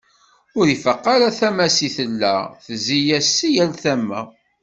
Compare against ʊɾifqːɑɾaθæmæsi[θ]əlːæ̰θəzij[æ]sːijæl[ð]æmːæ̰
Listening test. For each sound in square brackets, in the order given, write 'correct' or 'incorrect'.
correct, correct, incorrect: θ

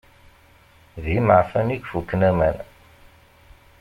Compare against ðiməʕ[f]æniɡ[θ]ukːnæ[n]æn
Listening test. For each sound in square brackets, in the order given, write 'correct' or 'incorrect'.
correct, incorrect: f, incorrect: m

